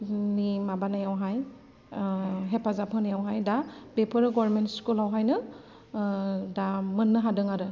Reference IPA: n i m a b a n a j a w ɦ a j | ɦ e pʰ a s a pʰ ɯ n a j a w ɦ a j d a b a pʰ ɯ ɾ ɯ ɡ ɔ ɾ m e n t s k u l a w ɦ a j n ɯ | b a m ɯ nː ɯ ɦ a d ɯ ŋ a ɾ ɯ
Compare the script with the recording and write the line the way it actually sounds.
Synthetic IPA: n i m a b a n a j a w ɦ a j | ɦ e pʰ a z a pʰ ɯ n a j a w ɦ a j d a b e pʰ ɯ ɾ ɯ ɡ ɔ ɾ m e n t s k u l a w ɦ a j n ɯ | d a m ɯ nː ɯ ɦ a d ɯ ŋ a ɾ ɯ